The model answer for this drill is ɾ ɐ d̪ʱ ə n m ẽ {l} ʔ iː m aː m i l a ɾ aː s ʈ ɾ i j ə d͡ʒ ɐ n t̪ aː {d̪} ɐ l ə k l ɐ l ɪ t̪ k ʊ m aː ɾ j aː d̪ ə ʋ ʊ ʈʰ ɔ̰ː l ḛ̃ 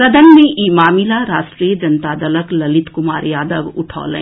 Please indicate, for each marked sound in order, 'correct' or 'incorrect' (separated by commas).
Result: incorrect, correct